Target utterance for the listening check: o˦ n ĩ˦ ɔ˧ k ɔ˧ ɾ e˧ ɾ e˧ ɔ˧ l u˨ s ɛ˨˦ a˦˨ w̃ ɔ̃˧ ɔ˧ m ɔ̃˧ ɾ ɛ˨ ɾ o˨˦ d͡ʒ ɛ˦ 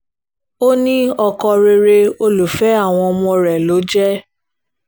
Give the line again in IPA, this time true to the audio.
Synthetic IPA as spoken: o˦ n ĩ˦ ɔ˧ k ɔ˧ ɾ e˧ ɾ e˧ o˧ l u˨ f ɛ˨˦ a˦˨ w̃ ɔ̃˧ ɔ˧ m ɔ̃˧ ɾ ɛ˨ l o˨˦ d͡ʒ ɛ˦

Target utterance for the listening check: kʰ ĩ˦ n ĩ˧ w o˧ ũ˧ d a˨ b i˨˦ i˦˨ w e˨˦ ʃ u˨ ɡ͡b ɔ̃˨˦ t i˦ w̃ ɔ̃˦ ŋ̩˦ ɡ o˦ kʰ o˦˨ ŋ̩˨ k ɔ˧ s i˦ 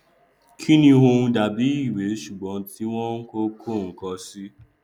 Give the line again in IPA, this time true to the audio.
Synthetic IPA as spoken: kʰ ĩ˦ n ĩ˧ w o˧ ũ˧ d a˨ b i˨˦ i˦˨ w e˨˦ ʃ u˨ ɡ͡b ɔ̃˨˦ t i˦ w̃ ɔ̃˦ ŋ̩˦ k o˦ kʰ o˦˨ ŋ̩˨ k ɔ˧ s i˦

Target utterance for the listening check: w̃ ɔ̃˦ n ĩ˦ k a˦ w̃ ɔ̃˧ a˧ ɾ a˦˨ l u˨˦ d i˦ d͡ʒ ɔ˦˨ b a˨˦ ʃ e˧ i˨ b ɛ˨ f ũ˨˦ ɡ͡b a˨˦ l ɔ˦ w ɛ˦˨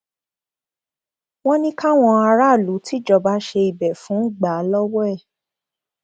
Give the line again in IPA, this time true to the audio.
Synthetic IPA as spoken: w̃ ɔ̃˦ n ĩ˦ k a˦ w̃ ɔ̃˧ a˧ ɾ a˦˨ l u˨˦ t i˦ d͡ʒ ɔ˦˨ b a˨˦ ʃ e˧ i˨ b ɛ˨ f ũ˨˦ ɡ͡b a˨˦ l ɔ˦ w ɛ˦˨

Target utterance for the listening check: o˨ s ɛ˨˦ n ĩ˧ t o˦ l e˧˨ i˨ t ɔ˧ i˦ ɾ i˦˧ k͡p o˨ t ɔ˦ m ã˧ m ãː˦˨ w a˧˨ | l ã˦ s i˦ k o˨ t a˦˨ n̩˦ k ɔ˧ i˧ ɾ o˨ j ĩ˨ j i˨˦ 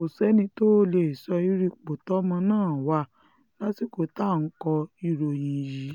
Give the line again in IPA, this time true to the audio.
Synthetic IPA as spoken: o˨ s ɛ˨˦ n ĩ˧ t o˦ l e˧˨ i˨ s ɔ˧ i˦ ɾ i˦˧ k͡p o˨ t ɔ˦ m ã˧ n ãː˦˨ w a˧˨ | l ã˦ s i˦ k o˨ t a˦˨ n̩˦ k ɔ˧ i˧ ɾ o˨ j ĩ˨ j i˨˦

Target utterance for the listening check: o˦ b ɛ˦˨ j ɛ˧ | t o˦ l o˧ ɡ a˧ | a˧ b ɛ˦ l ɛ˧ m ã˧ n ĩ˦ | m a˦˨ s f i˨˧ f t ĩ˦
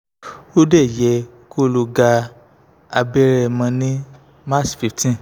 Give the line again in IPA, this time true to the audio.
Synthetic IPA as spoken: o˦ d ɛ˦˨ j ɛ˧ | k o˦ l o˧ ɡ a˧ | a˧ b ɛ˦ ɾ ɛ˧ m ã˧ n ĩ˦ | m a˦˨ s f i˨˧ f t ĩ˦

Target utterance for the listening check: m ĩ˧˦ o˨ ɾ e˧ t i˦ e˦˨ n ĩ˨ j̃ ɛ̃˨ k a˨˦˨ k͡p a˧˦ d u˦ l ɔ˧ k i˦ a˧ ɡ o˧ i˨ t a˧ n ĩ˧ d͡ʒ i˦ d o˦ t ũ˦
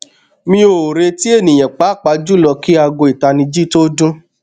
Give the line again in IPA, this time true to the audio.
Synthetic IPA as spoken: m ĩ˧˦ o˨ ɾ e˧ t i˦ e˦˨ n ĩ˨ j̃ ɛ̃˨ k͡p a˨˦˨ k͡p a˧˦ d͡ʒ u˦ l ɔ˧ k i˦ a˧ ɡ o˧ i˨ t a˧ n ĩ˧ d͡ʒ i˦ t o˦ d ũ˦

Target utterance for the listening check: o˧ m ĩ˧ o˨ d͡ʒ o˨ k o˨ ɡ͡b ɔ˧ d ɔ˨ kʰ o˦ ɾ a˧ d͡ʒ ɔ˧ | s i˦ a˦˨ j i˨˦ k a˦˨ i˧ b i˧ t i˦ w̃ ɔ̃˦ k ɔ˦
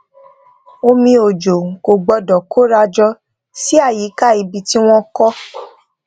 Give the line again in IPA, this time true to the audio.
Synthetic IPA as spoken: o˧ m ĩ˧ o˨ d͡ʒ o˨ k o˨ ɡ͡b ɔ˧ d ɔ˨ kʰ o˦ ɾ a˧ d͡ʒ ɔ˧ | s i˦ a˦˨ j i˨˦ k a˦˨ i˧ b i˧ t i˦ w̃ ɔ̃˦ k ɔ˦

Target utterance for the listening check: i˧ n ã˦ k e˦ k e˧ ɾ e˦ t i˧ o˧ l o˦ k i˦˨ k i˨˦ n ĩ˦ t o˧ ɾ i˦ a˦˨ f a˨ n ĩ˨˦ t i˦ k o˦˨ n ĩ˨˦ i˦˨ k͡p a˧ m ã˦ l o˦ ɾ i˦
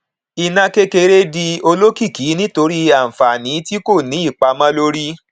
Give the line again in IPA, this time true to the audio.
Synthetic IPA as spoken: i˧ n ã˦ k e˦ k e˧ ɾ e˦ d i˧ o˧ l o˦ k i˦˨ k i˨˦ n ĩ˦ t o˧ ɾ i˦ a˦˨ f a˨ n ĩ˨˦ t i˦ k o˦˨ n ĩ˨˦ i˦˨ k͡p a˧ m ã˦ l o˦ ɾ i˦

